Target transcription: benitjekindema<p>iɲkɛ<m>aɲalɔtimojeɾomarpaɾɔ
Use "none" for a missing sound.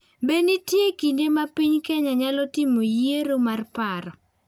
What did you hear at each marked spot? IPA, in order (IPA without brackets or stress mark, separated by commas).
p, ɲ